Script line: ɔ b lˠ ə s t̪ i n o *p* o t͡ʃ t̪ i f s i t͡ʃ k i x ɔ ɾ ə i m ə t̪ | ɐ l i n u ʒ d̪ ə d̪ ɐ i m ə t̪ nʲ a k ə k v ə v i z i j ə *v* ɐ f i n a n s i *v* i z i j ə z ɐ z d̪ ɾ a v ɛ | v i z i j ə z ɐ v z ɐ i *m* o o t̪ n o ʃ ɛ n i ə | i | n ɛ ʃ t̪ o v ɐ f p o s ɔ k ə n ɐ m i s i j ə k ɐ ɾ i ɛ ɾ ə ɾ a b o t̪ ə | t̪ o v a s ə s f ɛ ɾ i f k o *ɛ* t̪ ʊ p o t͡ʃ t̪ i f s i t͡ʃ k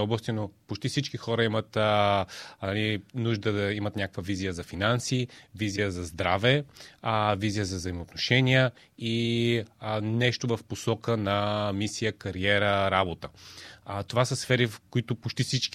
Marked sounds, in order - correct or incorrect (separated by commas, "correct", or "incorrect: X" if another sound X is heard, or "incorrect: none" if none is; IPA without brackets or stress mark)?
correct, incorrect: z, correct, correct, incorrect: i